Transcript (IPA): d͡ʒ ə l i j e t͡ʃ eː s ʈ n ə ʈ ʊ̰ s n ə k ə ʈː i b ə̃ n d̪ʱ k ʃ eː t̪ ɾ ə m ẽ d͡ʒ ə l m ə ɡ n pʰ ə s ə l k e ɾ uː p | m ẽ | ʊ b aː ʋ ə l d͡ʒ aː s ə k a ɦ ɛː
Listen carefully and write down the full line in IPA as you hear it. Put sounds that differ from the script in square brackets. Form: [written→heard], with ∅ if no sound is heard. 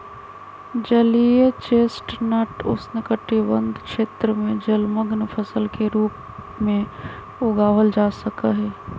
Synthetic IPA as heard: d͡ʒ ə l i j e t͡ʃ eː s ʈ n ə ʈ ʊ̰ s n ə k ə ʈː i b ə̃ n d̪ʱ k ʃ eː t̪ ɾ ə m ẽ d͡ʒ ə l m ə ɡ n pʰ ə s ə l k e ɾ uː p | m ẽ | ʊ [b→ɡ] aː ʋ ə l d͡ʒ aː s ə k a ɦ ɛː